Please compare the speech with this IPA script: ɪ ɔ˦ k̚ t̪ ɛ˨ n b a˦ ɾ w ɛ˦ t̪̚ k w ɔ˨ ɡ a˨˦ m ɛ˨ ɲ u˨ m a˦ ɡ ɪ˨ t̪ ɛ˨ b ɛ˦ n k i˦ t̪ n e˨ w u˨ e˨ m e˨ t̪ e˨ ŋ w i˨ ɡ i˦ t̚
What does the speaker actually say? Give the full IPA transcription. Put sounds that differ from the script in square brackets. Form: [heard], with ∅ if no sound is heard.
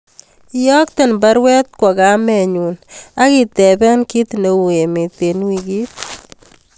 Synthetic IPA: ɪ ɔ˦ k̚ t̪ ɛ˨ n b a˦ ɾ w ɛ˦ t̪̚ k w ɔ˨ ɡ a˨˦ m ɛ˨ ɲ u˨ [n] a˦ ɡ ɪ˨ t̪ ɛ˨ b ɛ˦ n k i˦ t̪ n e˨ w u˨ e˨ m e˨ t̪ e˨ [n] w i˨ ɡ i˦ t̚